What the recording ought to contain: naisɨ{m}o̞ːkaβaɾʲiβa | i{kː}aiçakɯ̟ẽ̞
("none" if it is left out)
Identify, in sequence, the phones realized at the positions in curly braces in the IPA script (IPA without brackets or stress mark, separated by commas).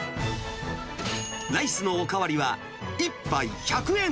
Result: n, pː